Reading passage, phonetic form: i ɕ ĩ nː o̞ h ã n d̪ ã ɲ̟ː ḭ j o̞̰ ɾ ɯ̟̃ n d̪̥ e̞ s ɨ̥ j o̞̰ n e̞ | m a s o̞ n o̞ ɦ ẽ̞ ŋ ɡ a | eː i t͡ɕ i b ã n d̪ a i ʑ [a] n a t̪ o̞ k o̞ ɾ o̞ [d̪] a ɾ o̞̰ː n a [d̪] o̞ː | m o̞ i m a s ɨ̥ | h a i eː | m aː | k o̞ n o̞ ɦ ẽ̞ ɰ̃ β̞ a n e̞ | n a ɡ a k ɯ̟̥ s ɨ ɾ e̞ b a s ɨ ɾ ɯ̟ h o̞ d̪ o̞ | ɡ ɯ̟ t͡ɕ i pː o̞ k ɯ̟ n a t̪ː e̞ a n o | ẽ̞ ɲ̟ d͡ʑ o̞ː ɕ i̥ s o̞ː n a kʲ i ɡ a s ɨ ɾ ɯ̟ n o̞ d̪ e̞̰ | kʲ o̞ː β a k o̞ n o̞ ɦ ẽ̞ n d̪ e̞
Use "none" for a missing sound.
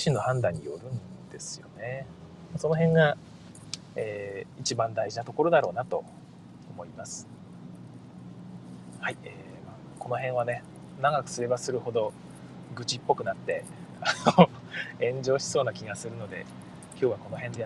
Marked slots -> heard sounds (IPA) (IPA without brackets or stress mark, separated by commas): i, d̪, t̪